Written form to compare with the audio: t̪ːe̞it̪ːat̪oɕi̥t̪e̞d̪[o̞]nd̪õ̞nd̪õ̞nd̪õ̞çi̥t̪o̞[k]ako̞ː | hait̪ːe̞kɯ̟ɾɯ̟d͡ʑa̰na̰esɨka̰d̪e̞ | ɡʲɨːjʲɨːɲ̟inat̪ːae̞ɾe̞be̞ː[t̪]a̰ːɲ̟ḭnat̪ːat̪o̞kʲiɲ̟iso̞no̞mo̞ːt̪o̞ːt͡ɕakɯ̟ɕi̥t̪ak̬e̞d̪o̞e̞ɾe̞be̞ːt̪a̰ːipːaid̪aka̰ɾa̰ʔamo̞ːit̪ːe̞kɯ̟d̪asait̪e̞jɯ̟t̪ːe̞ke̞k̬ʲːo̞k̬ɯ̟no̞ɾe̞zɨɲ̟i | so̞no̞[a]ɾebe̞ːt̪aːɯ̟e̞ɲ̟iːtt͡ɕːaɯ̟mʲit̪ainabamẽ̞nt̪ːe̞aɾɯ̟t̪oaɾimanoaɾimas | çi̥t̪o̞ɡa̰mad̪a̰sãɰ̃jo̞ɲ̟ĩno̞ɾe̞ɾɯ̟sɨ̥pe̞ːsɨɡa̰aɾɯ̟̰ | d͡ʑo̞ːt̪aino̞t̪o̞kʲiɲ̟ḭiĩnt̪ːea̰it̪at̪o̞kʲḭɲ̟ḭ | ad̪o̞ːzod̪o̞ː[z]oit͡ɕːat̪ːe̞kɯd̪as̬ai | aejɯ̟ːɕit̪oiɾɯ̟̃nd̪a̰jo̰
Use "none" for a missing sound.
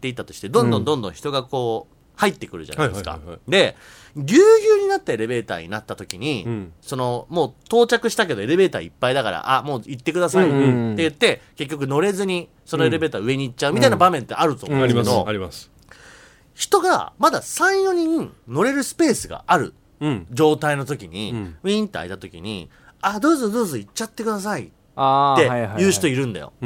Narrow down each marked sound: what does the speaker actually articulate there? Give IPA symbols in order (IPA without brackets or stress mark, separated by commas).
õ̞, ɡ, t̪, e, z